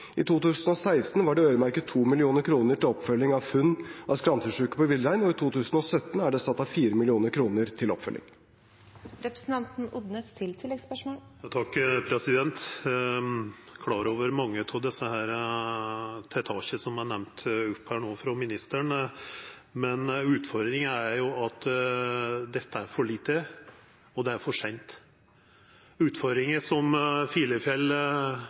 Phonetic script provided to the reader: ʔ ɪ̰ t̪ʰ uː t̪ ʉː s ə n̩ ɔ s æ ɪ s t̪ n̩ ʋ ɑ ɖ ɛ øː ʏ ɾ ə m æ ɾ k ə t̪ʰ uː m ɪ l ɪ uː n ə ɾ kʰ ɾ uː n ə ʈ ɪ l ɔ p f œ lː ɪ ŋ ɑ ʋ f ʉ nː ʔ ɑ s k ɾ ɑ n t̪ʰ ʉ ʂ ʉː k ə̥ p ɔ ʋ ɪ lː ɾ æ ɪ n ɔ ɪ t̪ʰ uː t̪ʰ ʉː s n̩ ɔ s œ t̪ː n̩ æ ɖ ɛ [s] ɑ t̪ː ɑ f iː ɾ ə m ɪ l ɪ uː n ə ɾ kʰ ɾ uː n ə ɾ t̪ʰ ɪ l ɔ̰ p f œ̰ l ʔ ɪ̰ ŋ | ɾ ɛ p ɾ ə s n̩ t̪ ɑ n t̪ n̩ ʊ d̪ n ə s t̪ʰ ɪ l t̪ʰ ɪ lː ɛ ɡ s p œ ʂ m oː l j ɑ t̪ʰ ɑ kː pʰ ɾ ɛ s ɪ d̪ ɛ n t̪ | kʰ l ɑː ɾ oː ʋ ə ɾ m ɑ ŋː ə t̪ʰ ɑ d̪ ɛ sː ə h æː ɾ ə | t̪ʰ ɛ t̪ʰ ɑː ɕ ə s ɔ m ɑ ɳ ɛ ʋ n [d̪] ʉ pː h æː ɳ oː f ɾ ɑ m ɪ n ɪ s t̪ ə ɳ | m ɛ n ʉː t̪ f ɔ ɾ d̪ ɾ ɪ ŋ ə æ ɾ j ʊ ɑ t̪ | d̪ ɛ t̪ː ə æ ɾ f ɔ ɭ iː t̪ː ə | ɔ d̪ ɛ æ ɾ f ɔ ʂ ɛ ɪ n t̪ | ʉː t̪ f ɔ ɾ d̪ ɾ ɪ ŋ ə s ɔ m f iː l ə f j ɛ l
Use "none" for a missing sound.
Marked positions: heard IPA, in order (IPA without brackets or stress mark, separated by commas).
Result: s, t̪